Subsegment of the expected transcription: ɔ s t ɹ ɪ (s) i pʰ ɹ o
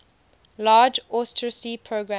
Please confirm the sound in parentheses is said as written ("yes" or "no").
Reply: yes